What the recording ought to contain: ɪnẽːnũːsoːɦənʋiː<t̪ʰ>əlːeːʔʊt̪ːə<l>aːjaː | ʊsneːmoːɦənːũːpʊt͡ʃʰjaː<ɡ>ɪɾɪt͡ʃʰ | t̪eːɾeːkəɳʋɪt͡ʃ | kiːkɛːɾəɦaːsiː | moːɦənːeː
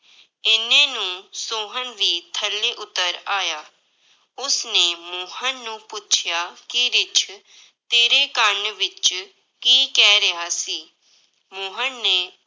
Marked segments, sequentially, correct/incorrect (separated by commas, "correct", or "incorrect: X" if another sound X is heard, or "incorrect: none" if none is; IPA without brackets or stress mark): correct, incorrect: ɾ, incorrect: k